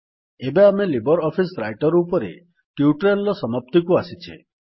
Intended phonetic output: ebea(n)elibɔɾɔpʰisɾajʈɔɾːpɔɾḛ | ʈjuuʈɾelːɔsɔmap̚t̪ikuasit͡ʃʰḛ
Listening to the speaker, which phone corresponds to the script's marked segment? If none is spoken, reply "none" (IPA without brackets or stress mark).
m